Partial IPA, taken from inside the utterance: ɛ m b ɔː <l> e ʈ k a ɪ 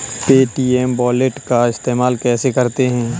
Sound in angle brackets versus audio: correct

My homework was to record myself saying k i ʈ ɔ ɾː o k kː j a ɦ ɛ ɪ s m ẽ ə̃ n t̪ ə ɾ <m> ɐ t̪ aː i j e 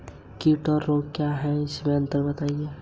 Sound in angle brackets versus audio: incorrect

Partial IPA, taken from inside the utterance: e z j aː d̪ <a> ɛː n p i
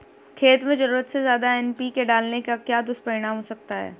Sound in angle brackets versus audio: correct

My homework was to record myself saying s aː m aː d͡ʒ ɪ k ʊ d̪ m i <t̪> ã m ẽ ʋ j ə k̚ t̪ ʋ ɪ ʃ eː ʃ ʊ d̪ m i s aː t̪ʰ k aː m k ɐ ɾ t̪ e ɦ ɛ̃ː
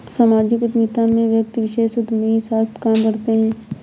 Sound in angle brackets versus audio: correct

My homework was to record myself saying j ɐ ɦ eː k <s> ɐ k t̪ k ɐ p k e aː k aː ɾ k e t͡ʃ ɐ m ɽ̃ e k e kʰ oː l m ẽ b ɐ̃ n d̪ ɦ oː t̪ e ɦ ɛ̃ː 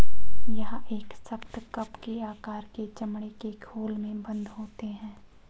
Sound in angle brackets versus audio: correct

